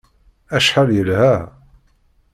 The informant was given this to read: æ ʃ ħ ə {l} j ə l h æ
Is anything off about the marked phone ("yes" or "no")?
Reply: no